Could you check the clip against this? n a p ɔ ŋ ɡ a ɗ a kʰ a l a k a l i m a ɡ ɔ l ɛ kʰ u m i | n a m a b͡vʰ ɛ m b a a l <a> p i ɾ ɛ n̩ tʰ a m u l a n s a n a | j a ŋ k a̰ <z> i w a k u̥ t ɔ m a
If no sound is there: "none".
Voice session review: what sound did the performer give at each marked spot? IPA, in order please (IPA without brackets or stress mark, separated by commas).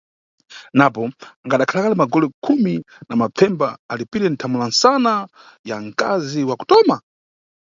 i, z